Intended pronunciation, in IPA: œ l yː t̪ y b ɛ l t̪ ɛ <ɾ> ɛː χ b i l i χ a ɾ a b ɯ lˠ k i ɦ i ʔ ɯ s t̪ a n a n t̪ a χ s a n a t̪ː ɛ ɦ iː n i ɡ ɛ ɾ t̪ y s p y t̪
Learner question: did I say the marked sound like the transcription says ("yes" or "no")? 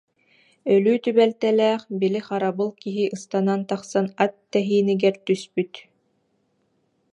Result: no